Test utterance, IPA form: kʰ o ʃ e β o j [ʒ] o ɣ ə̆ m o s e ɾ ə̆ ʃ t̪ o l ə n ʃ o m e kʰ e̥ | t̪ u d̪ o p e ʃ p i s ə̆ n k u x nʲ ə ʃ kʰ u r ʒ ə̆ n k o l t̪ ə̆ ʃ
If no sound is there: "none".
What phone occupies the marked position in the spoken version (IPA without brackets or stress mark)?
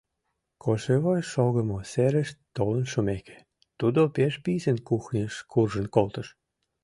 ʃ